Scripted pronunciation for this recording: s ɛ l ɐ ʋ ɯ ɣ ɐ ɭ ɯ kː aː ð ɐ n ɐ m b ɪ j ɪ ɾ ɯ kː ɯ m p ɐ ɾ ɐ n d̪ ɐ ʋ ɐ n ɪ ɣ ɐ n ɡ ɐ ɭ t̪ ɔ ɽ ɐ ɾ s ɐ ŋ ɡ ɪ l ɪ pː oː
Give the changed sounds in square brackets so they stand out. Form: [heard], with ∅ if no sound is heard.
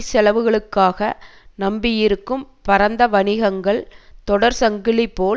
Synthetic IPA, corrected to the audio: s ɛ l ɐ ʋ ɯ ɣ ɐ ɭ ɯ kː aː [ɣ] ɐ n ɐ m b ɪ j ɪ ɾ ɯ kː ɯ m p ɐ ɾ ɐ n d̪ ɐ ʋ ɐ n ɪ ɣ ɐ [ŋ] ɡ ɐ ɭ t̪ ɔ ɽ ɐ ɾ s ɐ ŋ ɡ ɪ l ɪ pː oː